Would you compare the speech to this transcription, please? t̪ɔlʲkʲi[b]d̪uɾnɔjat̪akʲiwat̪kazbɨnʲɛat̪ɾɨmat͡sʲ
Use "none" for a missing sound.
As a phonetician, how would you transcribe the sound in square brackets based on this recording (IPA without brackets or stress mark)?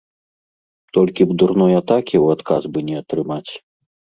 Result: b